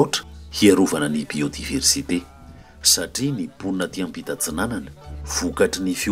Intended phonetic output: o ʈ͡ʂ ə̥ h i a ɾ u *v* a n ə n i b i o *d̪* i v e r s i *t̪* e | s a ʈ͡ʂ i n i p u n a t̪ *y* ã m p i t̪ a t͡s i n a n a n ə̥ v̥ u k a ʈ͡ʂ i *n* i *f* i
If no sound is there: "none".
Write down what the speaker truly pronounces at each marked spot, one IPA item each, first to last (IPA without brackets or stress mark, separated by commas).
v, d̪, t̪, i, n, f